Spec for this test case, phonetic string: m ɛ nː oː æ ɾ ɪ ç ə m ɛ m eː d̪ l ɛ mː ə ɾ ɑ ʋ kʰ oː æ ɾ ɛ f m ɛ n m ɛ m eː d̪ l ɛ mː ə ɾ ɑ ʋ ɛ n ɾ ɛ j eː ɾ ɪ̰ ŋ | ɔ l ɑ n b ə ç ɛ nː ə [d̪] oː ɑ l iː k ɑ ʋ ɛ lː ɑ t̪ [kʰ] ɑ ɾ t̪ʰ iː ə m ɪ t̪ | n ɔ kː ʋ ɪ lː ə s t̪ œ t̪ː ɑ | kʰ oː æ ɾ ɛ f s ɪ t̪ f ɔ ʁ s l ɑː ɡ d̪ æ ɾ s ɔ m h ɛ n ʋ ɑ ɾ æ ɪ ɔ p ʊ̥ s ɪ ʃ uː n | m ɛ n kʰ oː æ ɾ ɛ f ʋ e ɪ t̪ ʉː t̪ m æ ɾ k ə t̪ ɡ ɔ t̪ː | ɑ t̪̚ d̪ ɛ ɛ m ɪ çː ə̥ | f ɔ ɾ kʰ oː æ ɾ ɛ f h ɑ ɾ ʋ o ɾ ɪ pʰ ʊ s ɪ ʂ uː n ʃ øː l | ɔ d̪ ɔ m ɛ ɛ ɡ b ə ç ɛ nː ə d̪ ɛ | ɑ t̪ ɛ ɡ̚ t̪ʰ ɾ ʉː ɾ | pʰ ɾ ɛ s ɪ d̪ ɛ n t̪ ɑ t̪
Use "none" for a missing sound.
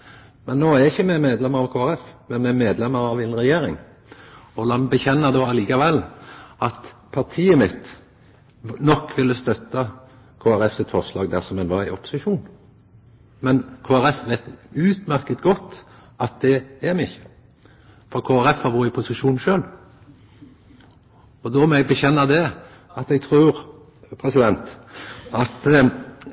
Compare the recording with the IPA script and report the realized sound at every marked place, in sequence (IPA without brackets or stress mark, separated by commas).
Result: d̪, pʰ